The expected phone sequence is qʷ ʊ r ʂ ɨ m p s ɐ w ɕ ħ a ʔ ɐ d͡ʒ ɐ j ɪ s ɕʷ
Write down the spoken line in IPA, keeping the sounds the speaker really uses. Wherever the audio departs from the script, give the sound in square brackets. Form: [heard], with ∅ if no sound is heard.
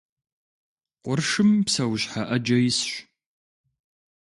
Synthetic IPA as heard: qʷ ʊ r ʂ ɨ m p s ɐ w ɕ ħ a ʔ ɐ d͡ʒ ɐ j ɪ s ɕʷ